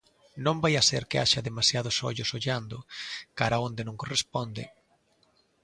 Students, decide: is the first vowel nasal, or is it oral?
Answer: nasal